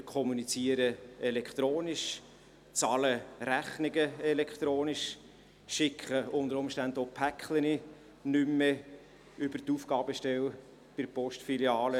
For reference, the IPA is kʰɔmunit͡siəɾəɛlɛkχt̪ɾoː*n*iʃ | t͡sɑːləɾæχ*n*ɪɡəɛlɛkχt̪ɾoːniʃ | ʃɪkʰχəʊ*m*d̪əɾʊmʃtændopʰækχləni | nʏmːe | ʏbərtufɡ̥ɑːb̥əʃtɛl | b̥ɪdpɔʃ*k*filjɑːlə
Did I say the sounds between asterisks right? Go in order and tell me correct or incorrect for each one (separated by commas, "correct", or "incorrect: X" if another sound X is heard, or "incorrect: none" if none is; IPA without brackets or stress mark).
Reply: correct, correct, incorrect: n, incorrect: t